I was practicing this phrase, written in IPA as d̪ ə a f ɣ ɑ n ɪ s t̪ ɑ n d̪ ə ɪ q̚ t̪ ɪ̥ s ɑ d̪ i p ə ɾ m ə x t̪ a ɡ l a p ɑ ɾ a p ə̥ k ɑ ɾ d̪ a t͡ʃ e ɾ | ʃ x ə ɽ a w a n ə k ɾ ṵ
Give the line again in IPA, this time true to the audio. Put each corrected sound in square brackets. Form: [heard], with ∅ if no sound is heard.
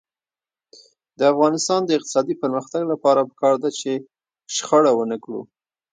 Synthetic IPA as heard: d̪ ə a f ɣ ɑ n ɪ s t̪ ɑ n d̪ ə ɪ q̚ t̪ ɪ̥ s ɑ d̪ i p ə ɾ m ə x t̪ a ɡ l a p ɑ ɾ a p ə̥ k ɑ ɾ d̪ a t͡ʃ e [∅] | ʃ x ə ɽ a w [ə] n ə k [ɽ] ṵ